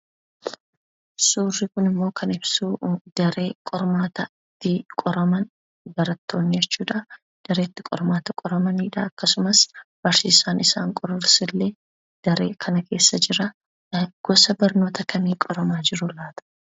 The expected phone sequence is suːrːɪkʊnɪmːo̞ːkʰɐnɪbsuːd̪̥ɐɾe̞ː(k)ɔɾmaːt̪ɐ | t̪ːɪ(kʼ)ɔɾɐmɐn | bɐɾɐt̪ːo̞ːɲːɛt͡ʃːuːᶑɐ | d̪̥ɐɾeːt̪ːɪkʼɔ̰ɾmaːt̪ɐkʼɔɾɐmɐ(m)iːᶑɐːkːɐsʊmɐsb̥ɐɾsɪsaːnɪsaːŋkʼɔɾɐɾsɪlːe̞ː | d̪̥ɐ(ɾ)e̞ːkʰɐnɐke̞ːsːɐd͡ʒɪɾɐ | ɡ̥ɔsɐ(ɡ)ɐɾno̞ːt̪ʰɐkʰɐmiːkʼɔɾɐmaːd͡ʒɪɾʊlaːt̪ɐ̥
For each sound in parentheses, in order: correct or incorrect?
incorrect, correct, incorrect, correct, incorrect

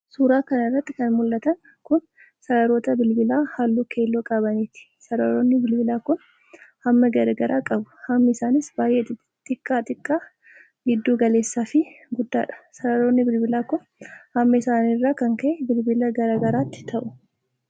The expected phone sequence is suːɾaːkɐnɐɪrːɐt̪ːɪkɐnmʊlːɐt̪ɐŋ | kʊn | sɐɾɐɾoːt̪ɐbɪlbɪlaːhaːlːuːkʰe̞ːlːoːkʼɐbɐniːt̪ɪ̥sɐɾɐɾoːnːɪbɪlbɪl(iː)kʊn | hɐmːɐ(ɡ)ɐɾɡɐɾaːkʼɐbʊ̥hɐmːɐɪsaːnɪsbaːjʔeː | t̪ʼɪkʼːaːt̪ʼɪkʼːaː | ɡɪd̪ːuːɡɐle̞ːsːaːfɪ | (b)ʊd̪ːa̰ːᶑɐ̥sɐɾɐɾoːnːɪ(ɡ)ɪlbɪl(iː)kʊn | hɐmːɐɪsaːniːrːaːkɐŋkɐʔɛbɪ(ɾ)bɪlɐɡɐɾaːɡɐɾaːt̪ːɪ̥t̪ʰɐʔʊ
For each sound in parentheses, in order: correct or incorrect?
incorrect, correct, incorrect, incorrect, incorrect, incorrect

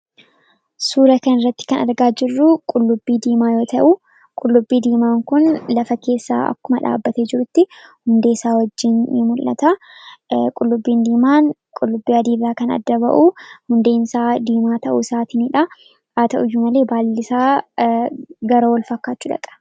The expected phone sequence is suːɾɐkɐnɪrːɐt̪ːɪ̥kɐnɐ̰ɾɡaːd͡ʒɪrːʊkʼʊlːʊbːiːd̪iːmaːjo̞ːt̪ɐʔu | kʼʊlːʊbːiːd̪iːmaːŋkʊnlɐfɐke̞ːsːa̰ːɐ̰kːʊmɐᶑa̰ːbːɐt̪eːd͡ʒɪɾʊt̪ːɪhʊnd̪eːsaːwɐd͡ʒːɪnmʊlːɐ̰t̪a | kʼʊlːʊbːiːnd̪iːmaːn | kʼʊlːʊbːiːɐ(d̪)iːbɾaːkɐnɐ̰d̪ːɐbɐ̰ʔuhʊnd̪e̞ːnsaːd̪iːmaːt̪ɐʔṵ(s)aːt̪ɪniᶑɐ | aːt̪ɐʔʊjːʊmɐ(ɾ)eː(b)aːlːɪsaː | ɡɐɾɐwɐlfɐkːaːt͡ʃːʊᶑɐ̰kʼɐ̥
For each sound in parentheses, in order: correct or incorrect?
correct, correct, incorrect, correct

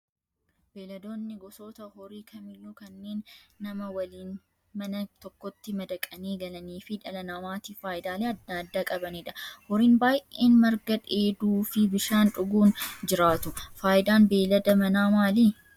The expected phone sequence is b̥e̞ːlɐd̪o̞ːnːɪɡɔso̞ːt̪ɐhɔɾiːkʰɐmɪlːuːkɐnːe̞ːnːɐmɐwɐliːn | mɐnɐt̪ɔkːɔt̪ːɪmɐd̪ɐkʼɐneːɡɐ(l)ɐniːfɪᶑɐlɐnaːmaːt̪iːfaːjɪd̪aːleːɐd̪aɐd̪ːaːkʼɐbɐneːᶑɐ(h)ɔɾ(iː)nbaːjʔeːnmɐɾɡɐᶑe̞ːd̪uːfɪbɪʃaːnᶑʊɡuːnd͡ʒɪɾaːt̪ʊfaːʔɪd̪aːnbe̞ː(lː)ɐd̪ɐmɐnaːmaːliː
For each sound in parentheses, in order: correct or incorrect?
correct, correct, correct, incorrect

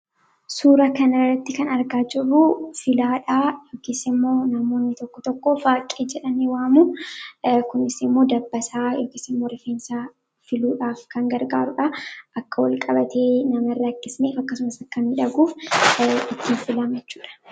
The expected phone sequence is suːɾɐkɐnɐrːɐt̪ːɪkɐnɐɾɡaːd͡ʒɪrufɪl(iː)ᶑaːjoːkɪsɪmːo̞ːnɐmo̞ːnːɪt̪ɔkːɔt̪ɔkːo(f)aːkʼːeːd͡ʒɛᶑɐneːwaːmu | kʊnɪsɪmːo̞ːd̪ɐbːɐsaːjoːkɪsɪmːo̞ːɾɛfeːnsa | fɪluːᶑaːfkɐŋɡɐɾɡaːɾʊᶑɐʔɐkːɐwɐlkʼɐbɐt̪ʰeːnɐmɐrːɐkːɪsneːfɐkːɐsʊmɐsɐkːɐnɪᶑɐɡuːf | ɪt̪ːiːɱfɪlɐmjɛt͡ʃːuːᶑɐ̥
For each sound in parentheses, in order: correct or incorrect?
incorrect, correct

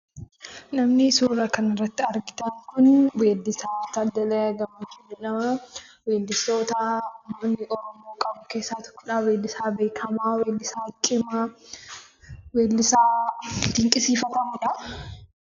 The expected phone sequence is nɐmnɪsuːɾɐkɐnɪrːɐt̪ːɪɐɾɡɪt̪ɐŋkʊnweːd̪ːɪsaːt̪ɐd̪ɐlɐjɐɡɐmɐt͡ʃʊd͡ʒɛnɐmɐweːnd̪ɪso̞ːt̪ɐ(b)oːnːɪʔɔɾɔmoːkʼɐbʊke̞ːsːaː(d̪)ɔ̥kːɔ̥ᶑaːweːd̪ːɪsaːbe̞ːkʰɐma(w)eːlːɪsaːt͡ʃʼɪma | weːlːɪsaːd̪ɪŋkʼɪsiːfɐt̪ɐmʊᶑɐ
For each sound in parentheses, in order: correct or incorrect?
incorrect, incorrect, correct

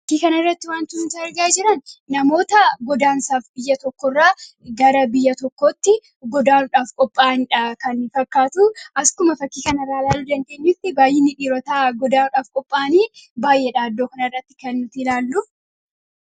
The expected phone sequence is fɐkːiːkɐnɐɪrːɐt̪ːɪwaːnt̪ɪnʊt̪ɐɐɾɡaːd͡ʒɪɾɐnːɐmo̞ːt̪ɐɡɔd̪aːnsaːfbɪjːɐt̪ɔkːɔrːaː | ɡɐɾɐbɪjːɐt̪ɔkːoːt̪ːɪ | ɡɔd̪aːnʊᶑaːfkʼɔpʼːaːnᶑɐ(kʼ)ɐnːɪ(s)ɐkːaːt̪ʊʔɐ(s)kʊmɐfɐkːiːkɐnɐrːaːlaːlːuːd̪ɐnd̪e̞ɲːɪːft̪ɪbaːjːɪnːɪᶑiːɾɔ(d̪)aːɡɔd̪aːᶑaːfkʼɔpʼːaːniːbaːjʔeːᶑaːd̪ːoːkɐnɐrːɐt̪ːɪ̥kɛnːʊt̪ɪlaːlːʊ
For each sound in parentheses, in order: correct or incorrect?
incorrect, incorrect, correct, incorrect

